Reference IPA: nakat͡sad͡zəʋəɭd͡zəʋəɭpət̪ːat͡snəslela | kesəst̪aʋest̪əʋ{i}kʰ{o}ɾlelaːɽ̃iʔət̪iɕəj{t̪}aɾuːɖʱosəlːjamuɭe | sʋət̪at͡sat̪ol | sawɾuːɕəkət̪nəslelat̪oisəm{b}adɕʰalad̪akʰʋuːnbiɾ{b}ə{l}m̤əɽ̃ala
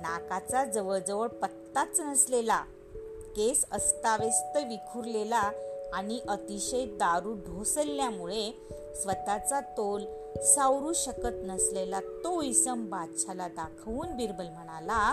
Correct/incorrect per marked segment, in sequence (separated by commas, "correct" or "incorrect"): correct, incorrect, incorrect, correct, correct, correct